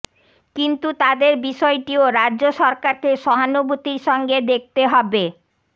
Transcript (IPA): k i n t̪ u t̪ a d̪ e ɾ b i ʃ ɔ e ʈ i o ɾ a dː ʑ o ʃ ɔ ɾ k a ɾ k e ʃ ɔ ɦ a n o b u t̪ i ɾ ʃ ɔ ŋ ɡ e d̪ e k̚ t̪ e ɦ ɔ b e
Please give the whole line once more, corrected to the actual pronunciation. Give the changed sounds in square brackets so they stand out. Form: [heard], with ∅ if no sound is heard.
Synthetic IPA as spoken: k i n t̪ u t̪ a d̪ e ɾ b i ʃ ɔ e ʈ i o ɾ a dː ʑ o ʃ ɔ ɾ k a ɾ k e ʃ ɔ ɦ a n o b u t̪ i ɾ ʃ ɔ ŋ ɡ e d̪ e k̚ t̪ e ɦ ɔ b e